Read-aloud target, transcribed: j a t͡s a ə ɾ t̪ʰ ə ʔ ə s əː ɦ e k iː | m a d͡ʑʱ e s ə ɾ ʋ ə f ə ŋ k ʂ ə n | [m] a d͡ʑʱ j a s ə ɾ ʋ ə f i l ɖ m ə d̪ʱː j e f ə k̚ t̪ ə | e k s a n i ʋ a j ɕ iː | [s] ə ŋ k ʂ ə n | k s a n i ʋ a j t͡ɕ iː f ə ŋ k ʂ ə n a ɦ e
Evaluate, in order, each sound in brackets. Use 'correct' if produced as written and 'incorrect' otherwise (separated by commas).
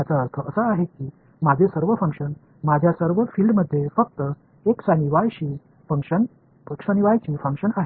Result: correct, incorrect